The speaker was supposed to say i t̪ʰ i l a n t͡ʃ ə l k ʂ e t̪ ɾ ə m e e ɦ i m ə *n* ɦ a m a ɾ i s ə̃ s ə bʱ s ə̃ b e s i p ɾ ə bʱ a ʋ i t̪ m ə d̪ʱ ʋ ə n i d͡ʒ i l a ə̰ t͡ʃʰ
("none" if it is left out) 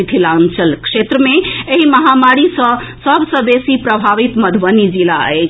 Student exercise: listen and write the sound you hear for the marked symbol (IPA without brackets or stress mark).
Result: none